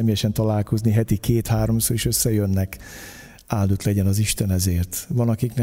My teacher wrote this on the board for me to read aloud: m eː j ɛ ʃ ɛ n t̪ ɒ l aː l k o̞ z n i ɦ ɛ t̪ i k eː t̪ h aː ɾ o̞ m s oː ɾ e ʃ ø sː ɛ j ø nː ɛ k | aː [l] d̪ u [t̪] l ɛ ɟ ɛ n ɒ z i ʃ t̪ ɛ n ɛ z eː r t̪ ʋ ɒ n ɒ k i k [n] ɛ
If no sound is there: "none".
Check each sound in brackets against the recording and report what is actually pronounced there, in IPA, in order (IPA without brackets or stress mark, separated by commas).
l, t̪, n